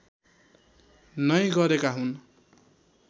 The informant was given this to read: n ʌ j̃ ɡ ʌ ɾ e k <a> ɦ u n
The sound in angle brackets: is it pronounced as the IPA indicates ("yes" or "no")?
yes